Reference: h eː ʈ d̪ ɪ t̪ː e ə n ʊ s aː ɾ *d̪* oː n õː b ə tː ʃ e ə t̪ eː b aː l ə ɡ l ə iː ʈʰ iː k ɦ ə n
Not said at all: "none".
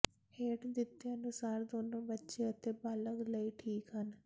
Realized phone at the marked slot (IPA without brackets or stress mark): d̪